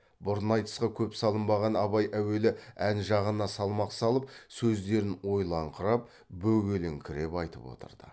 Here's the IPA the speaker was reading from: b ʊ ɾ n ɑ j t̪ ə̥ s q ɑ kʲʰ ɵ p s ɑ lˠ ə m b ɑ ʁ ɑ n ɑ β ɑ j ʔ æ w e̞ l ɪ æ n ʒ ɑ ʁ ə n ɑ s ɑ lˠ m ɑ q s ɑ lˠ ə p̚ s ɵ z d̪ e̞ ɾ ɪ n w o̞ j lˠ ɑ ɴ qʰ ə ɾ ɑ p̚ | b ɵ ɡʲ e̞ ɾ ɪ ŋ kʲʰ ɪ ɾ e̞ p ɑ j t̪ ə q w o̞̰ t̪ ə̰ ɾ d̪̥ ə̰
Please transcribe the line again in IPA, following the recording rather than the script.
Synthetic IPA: b ʊ ɾ n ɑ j t̪ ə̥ s q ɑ kʲʰ ɵ p s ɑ lˠ ə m b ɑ ʁ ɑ n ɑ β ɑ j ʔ æ w e̞ l ɪ æ n ʒ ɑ ʁ ə n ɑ s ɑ lˠ m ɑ q s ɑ lˠ ə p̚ s ɵ z d̪ e̞ ɾ ɪ n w o̞ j lˠ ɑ ɴ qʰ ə ɾ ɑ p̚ | b ɵ ɡʲ e̞ l ɪ ŋ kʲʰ ɪ ɾ e̞ p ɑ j t̪ ə p w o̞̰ t̪ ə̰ ɾ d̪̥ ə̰